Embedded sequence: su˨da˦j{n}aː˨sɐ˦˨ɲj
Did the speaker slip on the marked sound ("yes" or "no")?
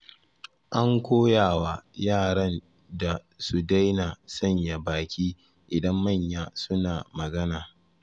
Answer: no